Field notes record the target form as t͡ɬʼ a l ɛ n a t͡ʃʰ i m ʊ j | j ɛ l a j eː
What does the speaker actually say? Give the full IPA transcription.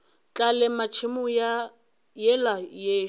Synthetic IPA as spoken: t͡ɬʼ a l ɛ m a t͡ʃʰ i m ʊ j | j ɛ l a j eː

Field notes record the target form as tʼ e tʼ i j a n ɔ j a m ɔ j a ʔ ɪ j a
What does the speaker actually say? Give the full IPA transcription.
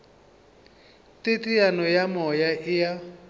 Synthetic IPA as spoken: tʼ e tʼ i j a n ɔ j a m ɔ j a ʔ ɪ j a

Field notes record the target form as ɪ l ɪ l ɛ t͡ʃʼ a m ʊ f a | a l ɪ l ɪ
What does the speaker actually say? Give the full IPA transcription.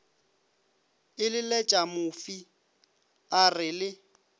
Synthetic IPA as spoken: ɪ l ɪ l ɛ t͡ʃʼ a m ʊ f i | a r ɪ l ɪ

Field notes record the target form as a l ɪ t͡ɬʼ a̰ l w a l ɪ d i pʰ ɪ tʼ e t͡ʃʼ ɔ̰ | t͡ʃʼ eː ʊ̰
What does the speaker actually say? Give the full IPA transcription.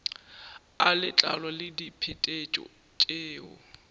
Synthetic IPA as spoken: a l ɪ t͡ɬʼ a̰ l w a l ɪ d i pʰ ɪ tʼ e t͡ʃʼ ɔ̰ | t͡ʃʼ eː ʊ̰

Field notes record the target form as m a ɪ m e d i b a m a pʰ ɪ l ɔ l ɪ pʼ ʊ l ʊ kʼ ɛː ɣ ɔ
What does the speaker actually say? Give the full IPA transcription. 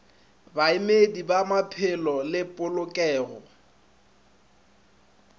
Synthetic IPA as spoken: b a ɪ m e d i b a m a pʰ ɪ l ɔ l ɪ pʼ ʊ l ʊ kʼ ɛː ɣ ɔ

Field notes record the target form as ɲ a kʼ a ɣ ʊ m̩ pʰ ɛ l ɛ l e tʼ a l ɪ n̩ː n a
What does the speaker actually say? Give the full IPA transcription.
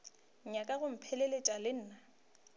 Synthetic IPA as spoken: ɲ a kʼ a ɣ ʊ m̩ pʰ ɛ l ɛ l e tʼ a l ɪ n̩ː n a

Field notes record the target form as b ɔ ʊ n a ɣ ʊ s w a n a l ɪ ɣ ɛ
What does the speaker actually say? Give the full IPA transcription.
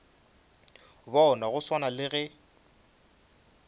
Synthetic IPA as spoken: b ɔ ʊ n a ɣ ʊ s w a n a l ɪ ɣ ɛ

